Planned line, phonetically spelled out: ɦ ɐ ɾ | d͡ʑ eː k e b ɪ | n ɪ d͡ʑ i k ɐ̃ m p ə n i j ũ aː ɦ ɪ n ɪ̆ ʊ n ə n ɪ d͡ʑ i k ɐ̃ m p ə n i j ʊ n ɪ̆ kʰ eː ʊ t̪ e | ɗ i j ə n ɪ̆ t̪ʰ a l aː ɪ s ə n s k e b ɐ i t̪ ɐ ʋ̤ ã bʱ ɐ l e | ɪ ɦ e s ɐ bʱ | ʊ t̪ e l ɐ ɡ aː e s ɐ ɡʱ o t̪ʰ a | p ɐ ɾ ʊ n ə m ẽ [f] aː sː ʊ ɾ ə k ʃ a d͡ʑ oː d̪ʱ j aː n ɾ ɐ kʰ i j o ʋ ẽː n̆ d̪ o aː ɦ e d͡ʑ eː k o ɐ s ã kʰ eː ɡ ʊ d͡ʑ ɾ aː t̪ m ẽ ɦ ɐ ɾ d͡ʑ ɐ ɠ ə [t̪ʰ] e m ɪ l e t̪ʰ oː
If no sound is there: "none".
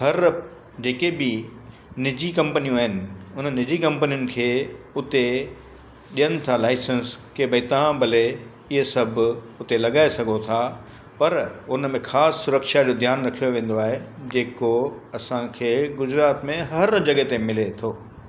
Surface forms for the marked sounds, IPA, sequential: x, t̪

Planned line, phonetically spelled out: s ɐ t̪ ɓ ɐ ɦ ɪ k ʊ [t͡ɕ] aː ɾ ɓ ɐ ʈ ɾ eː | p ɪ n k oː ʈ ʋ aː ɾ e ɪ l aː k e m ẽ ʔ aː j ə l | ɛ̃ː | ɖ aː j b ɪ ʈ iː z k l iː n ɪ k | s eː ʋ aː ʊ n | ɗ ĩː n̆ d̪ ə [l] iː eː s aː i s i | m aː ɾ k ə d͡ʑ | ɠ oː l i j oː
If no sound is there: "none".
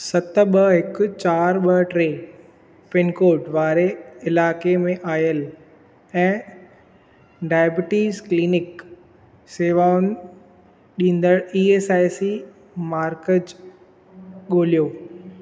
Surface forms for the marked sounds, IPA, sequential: t͡ɕ, ɽ

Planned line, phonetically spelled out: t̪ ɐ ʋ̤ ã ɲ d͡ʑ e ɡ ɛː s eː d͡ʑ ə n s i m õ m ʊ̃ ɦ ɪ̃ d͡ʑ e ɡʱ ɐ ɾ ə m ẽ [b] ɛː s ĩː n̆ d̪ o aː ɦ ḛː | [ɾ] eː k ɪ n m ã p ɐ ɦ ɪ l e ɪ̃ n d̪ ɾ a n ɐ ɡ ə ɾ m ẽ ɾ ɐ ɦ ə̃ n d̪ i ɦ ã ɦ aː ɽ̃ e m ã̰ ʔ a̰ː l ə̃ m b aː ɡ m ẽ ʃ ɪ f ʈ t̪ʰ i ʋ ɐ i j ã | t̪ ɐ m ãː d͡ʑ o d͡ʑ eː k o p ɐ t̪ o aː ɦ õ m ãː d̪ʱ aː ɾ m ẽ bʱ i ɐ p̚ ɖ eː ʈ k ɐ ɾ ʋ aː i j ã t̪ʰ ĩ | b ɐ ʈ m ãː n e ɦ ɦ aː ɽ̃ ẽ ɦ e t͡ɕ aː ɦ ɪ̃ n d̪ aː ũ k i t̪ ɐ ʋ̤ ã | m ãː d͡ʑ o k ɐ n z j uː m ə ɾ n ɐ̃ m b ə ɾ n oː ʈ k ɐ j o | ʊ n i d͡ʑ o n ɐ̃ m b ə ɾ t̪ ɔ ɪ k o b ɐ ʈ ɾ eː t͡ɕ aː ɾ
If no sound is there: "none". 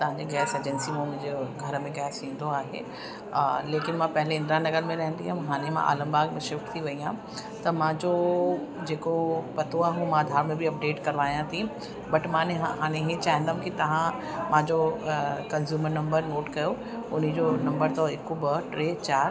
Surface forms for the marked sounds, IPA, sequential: ɡ, l

